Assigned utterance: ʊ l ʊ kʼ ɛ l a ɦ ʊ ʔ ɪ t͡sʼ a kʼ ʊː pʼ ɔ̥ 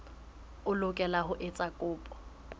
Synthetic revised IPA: ʊ l ʊ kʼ ɛ l a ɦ ʊ ʔ ɪ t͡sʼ a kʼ ʊː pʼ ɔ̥